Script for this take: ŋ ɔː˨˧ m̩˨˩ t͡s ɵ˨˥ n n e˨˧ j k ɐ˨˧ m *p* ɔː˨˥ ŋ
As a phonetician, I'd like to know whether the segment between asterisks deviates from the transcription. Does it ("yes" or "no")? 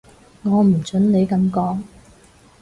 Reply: yes